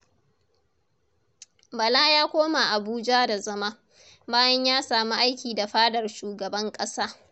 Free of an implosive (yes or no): yes